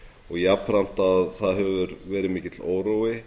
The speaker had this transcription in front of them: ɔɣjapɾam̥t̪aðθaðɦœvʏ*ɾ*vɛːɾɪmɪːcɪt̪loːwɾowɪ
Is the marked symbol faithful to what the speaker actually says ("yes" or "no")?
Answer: yes